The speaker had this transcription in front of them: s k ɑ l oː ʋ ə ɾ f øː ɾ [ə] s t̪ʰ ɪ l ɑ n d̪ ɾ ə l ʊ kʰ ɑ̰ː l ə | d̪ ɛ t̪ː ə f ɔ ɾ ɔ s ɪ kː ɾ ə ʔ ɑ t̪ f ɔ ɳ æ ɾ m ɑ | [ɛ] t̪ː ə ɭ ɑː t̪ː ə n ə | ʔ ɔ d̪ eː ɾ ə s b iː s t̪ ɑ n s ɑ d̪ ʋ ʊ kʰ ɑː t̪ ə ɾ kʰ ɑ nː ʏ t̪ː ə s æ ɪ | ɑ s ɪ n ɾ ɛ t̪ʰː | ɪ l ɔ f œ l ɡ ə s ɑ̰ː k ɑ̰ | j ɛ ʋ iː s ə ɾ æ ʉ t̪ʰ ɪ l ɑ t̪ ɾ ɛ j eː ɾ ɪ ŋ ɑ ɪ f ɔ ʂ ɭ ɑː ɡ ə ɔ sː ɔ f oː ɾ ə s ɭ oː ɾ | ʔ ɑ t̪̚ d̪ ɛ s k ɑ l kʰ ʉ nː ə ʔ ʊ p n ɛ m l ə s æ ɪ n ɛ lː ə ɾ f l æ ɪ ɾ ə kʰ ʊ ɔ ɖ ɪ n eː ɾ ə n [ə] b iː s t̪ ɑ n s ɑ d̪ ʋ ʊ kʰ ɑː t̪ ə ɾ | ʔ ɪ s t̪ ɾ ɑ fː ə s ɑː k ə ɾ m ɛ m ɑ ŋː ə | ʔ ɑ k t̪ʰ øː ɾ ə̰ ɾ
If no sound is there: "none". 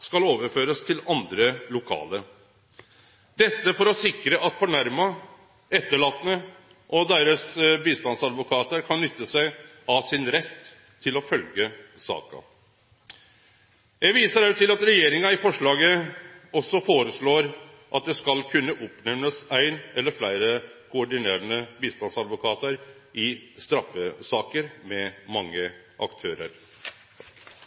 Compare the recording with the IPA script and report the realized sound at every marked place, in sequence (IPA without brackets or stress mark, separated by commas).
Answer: ə, ɛ, ə